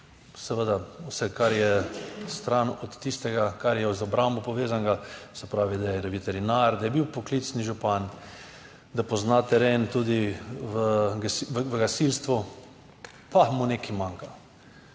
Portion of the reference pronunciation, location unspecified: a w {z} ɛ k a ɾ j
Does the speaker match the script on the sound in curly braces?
no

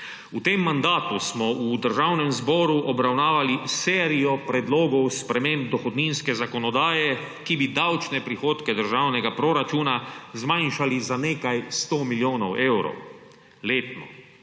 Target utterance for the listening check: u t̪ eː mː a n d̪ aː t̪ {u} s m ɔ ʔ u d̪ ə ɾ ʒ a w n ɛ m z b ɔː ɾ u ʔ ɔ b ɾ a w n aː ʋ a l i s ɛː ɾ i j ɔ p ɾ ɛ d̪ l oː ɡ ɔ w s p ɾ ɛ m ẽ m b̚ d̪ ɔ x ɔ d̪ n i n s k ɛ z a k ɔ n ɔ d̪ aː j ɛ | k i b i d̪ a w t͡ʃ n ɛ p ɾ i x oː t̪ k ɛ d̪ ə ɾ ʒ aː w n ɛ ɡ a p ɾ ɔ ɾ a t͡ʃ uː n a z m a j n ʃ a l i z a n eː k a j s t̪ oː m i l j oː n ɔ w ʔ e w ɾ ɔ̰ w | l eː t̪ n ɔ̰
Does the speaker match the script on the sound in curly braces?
yes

